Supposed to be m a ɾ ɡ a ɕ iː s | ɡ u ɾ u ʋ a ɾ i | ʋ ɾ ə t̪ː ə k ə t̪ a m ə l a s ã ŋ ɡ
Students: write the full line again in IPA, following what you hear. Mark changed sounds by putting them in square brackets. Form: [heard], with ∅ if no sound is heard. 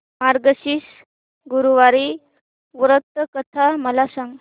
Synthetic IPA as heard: m a ɾ ɡ [ə] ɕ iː s | ɡ u ɾ u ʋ a ɾ i | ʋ ɾ ə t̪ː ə k ə [t̪ʰ] a m ə l a s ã ŋ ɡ